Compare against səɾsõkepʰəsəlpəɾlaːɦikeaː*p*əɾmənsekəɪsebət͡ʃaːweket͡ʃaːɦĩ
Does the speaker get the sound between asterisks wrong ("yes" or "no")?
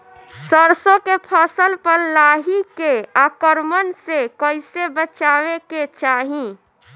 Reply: yes